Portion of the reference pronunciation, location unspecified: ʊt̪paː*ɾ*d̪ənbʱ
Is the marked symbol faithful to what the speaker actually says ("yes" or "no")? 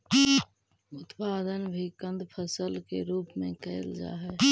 no